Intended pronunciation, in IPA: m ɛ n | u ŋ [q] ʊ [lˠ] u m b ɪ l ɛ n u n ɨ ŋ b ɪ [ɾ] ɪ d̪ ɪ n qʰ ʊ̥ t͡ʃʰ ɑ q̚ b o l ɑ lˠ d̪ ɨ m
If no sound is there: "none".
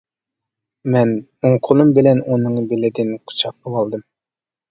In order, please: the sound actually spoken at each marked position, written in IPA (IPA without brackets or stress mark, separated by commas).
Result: qʰ, lˠ, l